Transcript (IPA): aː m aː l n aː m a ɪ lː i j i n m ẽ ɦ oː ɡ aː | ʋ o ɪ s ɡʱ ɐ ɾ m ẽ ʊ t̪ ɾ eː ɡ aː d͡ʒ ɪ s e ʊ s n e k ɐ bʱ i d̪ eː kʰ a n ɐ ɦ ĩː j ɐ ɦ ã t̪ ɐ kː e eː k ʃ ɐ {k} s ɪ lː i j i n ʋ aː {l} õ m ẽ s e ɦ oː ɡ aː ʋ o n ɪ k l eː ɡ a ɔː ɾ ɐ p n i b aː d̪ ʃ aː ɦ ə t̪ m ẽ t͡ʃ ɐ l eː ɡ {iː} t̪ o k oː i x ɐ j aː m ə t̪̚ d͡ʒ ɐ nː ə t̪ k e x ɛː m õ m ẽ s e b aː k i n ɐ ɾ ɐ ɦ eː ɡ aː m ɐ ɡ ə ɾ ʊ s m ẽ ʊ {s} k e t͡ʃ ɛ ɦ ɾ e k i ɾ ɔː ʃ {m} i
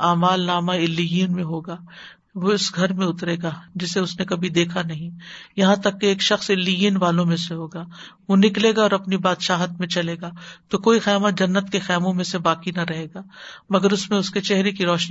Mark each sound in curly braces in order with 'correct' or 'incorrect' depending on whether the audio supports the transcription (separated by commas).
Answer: incorrect, correct, incorrect, correct, incorrect